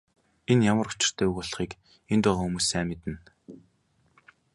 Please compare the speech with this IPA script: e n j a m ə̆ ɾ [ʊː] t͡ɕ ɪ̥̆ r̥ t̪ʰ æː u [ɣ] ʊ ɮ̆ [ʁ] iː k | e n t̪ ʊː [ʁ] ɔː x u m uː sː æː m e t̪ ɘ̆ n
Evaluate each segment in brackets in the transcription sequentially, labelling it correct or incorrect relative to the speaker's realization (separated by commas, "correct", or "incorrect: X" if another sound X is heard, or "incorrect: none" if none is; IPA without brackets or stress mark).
incorrect: ʊ, correct, incorrect: χ, correct